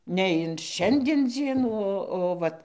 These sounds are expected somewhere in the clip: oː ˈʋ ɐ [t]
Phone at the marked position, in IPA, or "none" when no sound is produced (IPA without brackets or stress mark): t